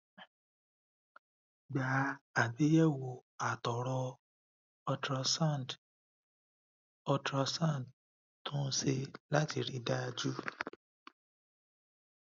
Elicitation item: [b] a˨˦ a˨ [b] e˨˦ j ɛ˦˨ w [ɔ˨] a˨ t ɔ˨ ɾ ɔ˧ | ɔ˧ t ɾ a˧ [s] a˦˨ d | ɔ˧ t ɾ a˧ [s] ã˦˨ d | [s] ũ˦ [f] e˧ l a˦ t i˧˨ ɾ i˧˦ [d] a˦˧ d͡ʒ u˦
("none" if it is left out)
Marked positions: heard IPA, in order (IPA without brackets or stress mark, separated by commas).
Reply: ɡ͡b, b, o˨, s, s, t, s, d